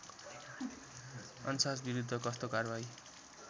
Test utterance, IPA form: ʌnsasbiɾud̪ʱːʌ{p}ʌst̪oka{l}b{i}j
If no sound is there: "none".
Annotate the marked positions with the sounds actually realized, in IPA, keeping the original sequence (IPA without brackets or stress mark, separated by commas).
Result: k, r, a